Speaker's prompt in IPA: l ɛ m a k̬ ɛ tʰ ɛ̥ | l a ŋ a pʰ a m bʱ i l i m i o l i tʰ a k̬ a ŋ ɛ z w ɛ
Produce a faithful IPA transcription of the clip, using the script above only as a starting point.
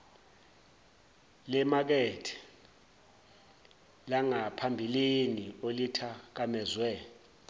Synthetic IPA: l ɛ m a k̬ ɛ tʰ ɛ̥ | l a ŋ a pʰ a m bʱ i l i n i o l i tʰ a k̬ a m ɛ z w ɛ